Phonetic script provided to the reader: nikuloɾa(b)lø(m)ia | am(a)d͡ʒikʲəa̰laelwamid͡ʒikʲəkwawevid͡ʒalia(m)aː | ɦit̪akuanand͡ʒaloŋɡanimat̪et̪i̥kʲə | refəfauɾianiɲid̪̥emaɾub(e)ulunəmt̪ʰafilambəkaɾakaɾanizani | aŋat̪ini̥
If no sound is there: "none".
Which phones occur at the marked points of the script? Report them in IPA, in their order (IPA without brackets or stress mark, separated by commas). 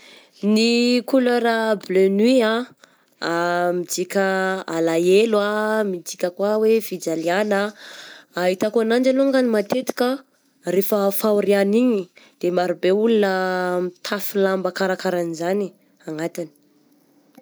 b, n, i, n, e